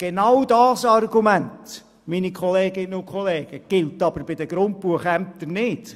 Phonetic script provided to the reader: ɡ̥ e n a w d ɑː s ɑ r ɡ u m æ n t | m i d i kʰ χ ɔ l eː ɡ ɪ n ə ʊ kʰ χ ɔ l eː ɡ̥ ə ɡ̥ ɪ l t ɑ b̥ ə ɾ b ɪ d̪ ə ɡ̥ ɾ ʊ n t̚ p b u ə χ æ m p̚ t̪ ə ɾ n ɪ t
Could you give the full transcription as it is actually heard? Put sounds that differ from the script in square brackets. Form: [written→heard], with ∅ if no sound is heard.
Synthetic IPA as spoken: ɡ̥ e n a w d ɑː s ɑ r ɡ u m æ n t | m i [d→n] i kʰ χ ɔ l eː ɡ ɪ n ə ʊ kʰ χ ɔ l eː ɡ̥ ə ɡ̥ ɪ l t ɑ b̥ ə ɾ b ɪ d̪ ə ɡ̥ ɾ ʊ n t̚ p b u ə χ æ m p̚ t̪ ə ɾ n ɪ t